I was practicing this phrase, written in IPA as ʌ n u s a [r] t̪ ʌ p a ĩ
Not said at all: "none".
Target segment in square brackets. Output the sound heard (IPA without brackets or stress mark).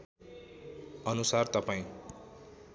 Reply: r